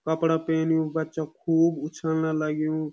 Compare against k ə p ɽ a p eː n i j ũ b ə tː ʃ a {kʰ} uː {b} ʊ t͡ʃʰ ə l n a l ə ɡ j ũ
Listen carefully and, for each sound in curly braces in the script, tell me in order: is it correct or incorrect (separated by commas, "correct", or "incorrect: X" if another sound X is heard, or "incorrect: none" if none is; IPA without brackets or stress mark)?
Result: correct, correct